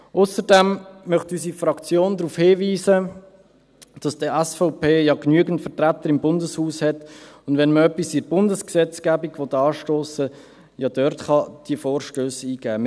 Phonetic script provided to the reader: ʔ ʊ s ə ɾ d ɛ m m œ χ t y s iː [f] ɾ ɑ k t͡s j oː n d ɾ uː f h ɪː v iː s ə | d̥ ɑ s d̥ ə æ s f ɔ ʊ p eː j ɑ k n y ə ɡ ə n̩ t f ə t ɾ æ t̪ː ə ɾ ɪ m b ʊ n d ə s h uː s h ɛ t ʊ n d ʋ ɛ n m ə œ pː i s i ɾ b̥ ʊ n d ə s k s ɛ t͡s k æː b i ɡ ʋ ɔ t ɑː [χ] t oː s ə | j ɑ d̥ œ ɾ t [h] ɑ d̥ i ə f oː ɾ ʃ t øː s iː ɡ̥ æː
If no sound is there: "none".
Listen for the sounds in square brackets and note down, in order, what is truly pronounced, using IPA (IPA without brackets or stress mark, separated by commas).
f, ʃ, χ